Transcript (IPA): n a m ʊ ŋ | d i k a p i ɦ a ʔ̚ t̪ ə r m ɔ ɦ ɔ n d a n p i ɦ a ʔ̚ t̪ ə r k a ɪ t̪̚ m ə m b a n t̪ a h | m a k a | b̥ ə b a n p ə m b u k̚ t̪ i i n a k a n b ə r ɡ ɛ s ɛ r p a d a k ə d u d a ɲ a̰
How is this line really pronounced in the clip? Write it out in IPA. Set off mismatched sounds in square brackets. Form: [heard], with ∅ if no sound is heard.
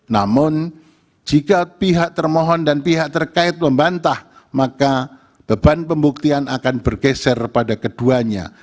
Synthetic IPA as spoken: n a m ʊ [n] | [d͡ʒ] i k a p i ɦ a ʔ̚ t̪ ə r m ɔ ɦ ɔ n d a n p i ɦ a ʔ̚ t̪ ə r k a ɪ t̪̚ m ə m b a n t̪ a h | m a k a | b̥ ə b a n p ə m b u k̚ t̪ i [a] n a k a n b ə r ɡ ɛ s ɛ r p a d a k ə d u [∅] a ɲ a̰